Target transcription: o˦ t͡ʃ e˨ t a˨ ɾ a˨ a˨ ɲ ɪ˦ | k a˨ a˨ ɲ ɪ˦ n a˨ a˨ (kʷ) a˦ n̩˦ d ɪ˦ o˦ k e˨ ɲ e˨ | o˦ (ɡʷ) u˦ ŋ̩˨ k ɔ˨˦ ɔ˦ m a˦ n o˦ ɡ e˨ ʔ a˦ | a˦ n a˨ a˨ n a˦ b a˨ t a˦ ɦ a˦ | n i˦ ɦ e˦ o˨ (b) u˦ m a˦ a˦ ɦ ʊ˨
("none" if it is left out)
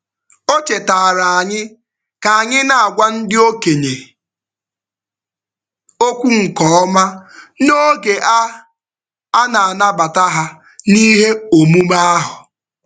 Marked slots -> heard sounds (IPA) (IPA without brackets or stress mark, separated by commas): ɡʷ, kʷ, m